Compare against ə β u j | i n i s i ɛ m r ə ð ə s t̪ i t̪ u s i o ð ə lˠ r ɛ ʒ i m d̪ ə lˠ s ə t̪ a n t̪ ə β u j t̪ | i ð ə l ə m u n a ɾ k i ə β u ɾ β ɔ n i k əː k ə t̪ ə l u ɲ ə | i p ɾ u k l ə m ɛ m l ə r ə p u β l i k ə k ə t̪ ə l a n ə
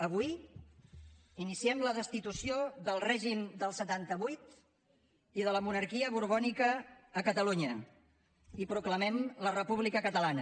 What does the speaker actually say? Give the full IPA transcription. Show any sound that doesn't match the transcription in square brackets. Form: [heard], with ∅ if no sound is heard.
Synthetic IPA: ə β u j | i n i s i ɛ m [l] ə ð ə s t̪ i t̪ u s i o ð ə lˠ r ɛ ʒ i m d̪ ə lˠ s ə t̪ a n t̪ ə β u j t̪ | i ð ə l ə m u n [ə] ɾ k i ə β u ɾ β ɔ n i k əː k ə t̪ ə l u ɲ ə | i p ɾ u k l ə m ɛ m l ə r ə p u β l i k ə k ə t̪ ə l a n ə